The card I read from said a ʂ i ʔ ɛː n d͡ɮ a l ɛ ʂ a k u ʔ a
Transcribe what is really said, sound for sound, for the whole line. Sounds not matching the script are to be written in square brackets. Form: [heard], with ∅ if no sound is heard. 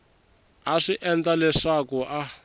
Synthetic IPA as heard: a ʂ i ʔ [ɛ] n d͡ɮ a l ɛ ʂ a k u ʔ a